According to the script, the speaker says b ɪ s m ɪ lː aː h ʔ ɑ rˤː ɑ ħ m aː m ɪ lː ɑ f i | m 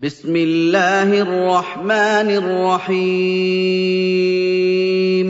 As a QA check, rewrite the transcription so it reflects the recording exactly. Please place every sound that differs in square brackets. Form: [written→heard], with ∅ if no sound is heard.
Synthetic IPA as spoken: b ɪ s m ɪ lː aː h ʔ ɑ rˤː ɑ ħ m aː [m→n] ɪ [lː→rː] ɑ [f→ħ] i | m